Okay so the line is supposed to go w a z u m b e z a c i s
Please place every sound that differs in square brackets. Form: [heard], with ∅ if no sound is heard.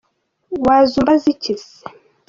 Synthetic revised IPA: w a z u m b [a] z [i] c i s